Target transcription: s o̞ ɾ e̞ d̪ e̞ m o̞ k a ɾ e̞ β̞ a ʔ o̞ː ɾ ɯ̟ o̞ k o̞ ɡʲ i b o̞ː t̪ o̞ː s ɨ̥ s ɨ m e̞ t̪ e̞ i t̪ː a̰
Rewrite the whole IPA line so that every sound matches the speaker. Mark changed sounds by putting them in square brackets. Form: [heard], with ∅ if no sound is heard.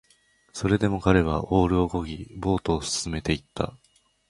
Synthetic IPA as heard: s o̞ ɾ e̞ d̪ e̞ m o̞ k a ɾ e̞ β̞ a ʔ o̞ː ɾ ɯ̟ o̞ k o̞ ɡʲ i b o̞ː t̪ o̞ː s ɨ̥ s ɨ m e̞ t̪ e̞ i t̪ː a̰